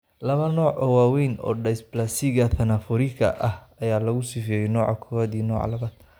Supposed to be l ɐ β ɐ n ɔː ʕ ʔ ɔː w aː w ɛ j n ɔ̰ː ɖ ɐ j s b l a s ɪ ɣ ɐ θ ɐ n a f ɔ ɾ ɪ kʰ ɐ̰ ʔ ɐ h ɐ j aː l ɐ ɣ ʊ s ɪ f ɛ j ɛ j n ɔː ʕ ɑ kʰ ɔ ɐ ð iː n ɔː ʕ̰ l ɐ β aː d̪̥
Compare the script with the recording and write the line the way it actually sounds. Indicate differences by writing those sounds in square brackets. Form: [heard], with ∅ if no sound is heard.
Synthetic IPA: l ɐ β ɐ n ɔː ʕ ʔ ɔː w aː w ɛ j n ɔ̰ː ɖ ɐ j s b l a s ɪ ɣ ɐ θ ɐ n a f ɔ ɾ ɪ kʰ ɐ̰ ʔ ɐ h ɐ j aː l ɐ ɣ ʊ s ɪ f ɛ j ɛ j n ɔː ʕ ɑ kʰ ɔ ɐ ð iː n ɔː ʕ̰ l ɐ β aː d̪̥